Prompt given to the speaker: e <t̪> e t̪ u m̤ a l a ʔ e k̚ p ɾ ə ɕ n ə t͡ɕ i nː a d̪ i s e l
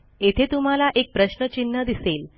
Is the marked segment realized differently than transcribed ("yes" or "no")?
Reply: yes